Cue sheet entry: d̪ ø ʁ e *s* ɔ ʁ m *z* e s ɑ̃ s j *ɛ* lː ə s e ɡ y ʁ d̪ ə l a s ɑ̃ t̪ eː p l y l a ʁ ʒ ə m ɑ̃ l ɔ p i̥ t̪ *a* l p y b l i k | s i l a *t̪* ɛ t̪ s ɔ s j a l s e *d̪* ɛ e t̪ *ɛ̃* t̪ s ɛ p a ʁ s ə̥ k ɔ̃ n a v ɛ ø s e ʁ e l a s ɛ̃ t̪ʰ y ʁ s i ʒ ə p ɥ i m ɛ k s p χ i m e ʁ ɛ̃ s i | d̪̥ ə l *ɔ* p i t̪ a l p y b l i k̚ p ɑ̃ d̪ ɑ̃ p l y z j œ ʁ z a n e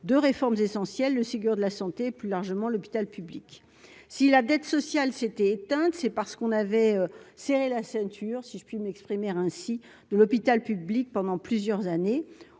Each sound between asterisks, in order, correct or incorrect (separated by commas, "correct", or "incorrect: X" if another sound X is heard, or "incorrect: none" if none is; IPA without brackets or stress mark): incorrect: f, correct, correct, correct, incorrect: d̪, incorrect: t̪, correct, correct